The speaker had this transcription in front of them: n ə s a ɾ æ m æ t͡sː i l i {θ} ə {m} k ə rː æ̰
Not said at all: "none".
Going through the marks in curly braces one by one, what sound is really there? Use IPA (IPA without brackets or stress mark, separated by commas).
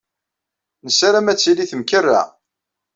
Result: θ, m